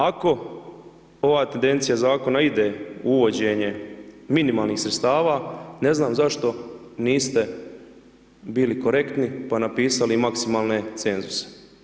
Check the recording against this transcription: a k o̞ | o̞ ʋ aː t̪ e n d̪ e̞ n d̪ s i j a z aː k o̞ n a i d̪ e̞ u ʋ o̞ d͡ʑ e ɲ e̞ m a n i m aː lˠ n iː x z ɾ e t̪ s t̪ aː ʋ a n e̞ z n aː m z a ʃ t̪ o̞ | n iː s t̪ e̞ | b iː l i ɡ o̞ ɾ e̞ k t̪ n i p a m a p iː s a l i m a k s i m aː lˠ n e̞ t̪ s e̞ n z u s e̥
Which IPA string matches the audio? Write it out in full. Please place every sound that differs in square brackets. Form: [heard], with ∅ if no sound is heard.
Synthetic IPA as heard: a k o̞ | o̞ ʋ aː t̪ e n d̪ e̞ n [t̪] s i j a z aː k o̞ n a i d̪ e̞ u ʋ o̞ d͡ʑ e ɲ e̞ m [i] n i m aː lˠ n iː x [s] ɾ e t̪ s t̪ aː ʋ a n e̞ z n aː m z a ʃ t̪ o̞ | n iː s t̪ e̞ | b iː l i [k] o̞ ɾ e̞ k t̪ n i p a [n] a p iː s a l i m a k s i m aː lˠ n e̞ t̪ s e̞ n z u s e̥